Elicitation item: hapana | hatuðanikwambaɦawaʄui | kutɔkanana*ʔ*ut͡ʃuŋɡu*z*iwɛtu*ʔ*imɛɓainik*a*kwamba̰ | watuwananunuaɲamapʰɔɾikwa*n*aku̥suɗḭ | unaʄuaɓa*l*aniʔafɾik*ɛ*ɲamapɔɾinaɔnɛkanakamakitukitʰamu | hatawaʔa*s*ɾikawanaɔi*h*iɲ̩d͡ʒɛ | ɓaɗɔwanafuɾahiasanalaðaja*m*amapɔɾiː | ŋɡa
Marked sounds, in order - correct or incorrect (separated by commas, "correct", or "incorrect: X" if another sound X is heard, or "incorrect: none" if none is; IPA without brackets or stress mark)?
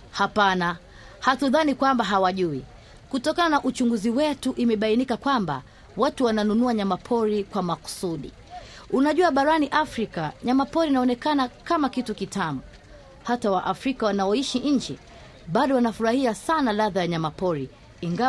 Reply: correct, correct, correct, correct, incorrect: m, incorrect: ɾ, incorrect: a, incorrect: f, incorrect: ʃ, incorrect: ɲ